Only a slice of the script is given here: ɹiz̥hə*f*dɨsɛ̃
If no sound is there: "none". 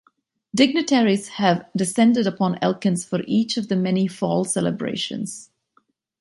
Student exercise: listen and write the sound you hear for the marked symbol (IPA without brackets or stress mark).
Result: v